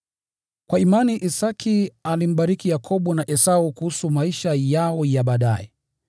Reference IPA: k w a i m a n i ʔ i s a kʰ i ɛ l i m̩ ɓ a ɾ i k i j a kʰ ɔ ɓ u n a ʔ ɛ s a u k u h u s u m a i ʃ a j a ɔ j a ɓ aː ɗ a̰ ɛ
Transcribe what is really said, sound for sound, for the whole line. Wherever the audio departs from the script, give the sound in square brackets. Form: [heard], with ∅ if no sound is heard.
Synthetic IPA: k w a i m a n i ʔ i s a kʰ i [a] l i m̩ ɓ a ɾ i k i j a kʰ ɔ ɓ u n a ʔ ɛ s a u k u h u s u m a i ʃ a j a ɔ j a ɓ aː ɗ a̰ ɛ